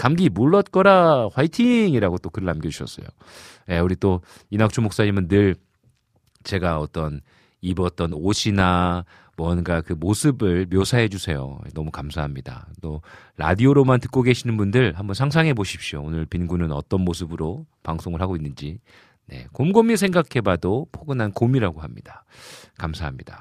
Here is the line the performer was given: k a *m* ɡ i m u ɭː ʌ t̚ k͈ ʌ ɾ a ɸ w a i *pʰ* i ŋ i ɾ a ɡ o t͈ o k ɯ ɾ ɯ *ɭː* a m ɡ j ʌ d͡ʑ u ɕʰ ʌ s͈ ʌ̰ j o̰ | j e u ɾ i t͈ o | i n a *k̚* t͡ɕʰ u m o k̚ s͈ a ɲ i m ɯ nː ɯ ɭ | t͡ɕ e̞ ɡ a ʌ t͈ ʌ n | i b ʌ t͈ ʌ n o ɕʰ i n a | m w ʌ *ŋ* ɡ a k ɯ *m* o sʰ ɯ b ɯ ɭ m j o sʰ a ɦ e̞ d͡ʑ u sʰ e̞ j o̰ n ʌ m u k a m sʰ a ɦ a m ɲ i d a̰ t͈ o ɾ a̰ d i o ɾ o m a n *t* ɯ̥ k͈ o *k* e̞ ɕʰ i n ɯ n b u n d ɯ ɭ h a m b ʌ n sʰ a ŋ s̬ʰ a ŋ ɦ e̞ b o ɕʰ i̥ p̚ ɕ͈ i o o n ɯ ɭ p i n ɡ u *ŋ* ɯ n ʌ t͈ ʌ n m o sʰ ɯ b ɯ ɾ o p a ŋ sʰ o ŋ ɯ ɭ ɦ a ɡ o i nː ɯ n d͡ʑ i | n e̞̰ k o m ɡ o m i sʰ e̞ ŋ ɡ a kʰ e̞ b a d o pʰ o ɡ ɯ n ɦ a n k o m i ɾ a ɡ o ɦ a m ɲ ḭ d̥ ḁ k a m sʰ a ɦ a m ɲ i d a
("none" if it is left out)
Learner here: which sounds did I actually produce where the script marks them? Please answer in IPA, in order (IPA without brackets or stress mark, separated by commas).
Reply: m, tʰ, ɭ, k̚, n, m, t, ɡ, n